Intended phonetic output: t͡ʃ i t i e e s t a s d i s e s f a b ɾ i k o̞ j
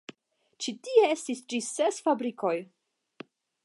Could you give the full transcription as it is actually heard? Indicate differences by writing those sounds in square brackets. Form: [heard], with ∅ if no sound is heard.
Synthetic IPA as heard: t͡ʃ i t i e e s t [i] s [d͡ʒ] i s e s f a b ɾ i k o̞ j